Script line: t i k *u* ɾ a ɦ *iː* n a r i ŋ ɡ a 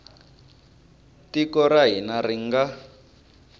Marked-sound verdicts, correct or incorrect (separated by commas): incorrect, incorrect